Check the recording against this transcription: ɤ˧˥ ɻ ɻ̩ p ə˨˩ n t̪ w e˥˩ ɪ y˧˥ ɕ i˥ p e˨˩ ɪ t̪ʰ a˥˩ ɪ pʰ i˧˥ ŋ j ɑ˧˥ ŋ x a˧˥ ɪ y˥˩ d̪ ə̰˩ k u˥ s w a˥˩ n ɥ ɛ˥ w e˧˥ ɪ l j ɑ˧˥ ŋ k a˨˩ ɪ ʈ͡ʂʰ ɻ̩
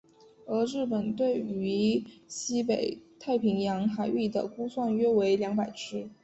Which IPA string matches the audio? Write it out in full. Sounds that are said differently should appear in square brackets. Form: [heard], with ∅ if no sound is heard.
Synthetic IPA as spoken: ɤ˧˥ ɻ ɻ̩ p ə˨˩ n t̪ w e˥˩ ɪ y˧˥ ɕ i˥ p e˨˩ ɪ t̪ʰ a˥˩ ɪ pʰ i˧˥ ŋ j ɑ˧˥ ŋ x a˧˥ ɪ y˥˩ d̪ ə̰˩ k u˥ s w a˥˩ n ɥ ɛ˥ w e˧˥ ɪ l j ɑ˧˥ ŋ [p] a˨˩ ɪ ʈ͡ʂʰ ɻ̩